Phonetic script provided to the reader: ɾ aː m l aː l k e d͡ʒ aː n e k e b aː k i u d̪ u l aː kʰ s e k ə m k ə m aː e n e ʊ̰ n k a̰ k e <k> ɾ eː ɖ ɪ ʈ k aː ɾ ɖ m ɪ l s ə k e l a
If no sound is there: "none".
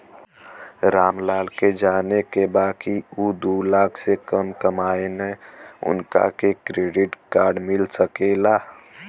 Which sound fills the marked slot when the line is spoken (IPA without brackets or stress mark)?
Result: k